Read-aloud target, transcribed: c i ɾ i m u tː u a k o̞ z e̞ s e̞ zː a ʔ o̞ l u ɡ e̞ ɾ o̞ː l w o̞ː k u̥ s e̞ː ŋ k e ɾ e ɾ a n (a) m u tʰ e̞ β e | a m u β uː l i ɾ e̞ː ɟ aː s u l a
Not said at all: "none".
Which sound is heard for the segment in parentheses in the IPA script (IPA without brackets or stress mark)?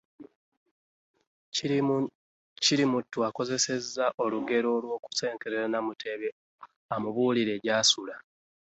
a